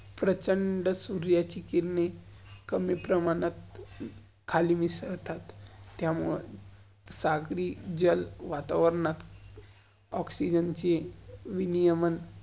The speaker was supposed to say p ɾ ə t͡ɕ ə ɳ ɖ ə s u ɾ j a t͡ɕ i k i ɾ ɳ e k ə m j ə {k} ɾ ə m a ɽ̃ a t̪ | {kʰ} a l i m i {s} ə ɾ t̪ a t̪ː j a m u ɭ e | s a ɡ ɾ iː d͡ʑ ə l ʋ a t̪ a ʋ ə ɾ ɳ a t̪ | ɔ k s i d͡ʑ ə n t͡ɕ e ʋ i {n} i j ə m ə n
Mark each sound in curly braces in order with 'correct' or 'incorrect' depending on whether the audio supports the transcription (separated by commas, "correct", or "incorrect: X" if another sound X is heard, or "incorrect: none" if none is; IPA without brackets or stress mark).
incorrect: p, correct, correct, correct